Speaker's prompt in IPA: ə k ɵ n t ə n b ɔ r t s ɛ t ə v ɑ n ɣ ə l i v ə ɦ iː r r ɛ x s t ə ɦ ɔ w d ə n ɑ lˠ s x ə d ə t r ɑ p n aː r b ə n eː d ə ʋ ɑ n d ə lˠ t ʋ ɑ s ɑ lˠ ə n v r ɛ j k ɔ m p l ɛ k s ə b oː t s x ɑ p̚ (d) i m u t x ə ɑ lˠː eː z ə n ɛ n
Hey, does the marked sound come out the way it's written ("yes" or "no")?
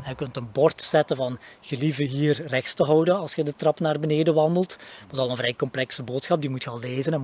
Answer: yes